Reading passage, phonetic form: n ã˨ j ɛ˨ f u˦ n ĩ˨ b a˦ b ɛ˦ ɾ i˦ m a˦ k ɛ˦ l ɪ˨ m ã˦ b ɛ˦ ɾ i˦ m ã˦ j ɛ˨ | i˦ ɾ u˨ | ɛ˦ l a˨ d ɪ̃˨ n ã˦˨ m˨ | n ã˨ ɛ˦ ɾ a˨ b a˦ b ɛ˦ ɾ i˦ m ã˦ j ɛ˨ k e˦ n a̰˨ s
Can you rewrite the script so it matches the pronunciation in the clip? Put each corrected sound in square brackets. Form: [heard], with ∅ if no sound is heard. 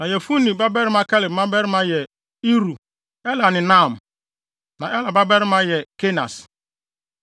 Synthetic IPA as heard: n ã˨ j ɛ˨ f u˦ n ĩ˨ b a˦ b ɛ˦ ɾ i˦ m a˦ k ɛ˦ l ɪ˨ m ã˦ b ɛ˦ ɾ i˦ m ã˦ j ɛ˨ | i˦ ɾ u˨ | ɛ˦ l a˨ [n] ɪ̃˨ n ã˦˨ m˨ | n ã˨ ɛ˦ [l] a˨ b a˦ b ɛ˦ ɾ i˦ m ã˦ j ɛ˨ k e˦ n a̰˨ s